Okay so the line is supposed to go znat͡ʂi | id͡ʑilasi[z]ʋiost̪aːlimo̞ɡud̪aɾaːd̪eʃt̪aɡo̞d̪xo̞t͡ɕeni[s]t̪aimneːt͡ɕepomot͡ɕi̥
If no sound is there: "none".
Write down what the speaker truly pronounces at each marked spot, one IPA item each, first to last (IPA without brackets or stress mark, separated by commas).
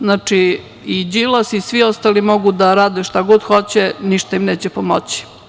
s, ʃ